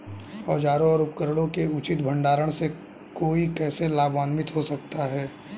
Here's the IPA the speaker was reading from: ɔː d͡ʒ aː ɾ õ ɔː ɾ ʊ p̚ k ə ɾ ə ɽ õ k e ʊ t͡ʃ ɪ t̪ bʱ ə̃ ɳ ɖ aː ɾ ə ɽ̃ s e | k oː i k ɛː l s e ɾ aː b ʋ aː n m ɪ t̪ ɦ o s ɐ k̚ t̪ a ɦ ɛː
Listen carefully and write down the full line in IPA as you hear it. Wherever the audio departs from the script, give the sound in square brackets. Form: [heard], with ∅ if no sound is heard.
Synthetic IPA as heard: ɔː d͡ʒ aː ɾ õ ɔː ɾ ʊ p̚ k ə ɾ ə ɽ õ k e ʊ t͡ʃ ɪ t̪ bʱ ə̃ ɳ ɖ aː ɾ ə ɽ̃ s e | k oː i k ɛː [∅] s e [l] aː b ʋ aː n m ɪ t̪ ɦ o s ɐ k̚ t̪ a ɦ ɛː